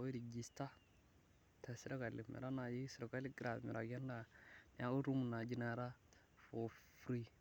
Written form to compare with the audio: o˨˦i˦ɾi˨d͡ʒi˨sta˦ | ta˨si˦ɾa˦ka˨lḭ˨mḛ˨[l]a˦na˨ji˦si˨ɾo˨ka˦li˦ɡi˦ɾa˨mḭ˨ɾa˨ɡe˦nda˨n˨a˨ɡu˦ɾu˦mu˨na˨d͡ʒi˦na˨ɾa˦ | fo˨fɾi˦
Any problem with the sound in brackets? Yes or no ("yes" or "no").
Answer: yes